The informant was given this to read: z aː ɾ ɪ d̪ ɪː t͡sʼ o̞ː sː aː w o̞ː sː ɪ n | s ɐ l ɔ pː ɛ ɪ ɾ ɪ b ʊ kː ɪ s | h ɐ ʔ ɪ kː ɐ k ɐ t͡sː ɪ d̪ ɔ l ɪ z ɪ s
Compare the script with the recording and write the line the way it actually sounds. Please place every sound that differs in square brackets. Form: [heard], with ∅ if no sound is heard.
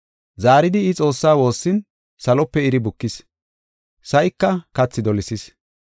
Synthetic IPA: z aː ɾ ɪ d̪ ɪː t͡sʼ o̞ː sː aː w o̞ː sː ɪ n | s ɐ l ɔ pː ɛ ɪ ɾ ɪ b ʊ kː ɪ s | [s] ɐ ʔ ɪ kː ɐ k ɐ t͡sː ɪ d̪ ɔ l ɪ [s] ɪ s